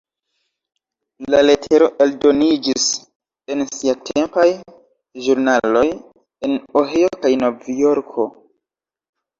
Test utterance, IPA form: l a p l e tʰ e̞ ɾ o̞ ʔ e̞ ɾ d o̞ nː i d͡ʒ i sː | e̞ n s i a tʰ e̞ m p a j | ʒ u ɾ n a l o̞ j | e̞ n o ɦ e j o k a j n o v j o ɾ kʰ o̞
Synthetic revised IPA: l a l e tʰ e̞ ɾ o̞ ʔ e̞ l d o̞ n i d͡ʒ i s | e̞ n s i a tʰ e̞ m p a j | ʒ u ɾ n a l o̞ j | e̞ n o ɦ e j o k a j n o v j o ɾ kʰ o̞